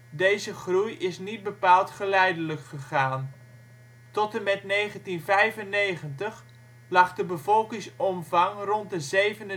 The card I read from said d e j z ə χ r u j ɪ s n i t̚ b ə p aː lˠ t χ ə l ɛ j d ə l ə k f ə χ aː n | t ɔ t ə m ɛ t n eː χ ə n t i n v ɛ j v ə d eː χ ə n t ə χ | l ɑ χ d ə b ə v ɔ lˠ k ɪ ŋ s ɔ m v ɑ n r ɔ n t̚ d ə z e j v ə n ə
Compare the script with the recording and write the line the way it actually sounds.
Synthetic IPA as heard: d e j z ə χ r u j ɪ s n i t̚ b ə p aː lˠ t χ ə l ɛ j d ə l ə k χ ə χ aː n | t ɔ t ə m ɛ t n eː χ ə n t i n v ɛ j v ə n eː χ ə n t ə χ | l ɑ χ d ə b ə v ɔ lˠ k ɪ ŋ s ɔ m v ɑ ŋ r ɔ n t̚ d ə z e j v ə n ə